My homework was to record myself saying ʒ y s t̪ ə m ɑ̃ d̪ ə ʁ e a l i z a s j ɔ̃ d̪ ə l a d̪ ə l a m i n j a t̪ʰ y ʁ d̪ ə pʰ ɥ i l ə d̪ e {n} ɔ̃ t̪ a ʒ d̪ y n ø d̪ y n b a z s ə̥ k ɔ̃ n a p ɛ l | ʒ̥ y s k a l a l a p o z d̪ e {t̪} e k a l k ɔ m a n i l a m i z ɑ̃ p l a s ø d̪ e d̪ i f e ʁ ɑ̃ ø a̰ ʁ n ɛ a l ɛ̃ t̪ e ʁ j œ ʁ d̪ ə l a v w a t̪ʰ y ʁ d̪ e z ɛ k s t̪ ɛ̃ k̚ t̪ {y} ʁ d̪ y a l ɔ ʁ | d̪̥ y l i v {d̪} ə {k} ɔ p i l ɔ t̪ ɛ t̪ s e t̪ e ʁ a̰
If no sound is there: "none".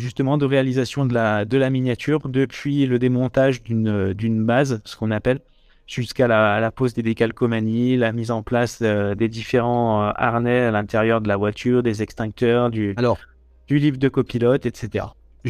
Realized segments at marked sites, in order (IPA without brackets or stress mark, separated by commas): m, d̪, œ, d̪, k